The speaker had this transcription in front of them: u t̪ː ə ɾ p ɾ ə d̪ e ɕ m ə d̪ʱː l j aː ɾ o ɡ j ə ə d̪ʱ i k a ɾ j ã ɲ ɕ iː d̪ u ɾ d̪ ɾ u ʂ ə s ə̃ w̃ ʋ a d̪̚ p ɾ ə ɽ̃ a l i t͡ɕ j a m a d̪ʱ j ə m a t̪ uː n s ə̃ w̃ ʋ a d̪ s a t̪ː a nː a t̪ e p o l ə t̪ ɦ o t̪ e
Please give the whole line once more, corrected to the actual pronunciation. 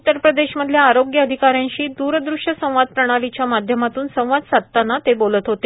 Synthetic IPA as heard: u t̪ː ə ɾ p ɾ ə d̪ e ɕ m ə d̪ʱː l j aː ɾ o ɡ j ə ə d̪ʱ i k a ɾ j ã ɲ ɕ iː d̪ u ɾ d̪ ɾ u ʂ ə s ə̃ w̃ ʋ a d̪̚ p ɾ ə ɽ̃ a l i t͡ɕ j a m a d̪ʱ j ə m a t̪ uː n s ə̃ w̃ ʋ a d̪ s a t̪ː a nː a t̪ e b o l ə t̪ ɦ o t̪ e